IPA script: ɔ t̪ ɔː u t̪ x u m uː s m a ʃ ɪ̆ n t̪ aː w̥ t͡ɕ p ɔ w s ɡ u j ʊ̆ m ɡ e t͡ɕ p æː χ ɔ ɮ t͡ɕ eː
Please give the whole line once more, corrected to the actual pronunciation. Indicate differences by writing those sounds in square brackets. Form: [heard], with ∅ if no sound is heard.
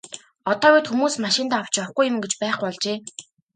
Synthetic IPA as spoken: ɔ t̪ ɔː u t̪ x u m uː s m a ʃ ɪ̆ n t̪ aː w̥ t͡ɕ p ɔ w [χ] ɡ u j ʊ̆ m ɡ e t͡ɕ p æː χ ɔ ɮ t͡ɕ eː